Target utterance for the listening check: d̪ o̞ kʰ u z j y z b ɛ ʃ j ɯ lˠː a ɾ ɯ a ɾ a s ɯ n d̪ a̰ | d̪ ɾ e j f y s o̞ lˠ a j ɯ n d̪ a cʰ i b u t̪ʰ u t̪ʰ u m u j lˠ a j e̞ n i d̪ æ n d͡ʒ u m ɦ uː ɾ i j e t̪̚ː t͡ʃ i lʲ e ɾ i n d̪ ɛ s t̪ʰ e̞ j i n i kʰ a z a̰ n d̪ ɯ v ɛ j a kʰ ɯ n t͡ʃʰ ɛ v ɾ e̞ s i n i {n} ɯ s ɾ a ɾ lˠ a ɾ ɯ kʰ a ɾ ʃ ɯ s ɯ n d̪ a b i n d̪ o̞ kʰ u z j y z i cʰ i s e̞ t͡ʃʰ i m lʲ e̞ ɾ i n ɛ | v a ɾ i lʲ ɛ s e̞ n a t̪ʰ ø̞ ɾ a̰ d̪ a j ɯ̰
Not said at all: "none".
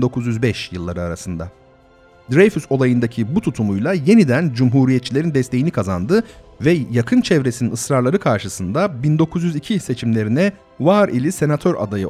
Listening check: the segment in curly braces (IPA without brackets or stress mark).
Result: n